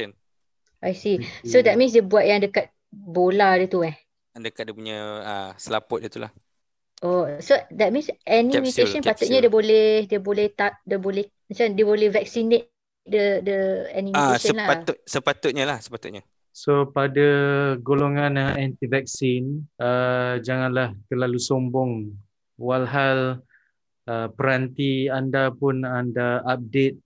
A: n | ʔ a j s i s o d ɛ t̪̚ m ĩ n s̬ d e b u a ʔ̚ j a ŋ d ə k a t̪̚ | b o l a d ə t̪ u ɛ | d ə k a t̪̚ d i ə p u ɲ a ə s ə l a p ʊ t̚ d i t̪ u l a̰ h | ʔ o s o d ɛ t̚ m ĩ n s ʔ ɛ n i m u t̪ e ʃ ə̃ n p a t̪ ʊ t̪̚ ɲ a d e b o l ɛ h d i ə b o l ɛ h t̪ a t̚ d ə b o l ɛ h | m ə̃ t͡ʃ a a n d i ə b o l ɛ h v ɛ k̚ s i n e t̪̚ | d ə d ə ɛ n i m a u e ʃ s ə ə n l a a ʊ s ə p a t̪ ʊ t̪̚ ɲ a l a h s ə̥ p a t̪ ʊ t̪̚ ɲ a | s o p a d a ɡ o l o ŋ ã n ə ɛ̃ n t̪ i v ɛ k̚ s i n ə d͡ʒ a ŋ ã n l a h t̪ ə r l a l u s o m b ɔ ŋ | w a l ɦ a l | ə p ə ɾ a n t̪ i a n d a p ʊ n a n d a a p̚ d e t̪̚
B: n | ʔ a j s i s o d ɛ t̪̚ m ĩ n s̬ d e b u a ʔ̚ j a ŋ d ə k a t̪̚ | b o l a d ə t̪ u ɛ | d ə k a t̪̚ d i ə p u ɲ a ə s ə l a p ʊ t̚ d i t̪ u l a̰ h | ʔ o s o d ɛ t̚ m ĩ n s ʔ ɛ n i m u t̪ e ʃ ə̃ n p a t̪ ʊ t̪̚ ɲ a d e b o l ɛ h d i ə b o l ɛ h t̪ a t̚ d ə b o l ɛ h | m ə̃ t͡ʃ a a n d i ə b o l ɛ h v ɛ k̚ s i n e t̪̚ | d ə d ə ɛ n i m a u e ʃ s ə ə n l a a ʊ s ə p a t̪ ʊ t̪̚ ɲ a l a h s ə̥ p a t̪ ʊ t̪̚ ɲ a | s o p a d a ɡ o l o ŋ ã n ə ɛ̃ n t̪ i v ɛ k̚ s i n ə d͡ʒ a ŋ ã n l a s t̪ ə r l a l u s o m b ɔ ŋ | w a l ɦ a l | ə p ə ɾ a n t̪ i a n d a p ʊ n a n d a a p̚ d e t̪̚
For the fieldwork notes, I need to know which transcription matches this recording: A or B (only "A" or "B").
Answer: A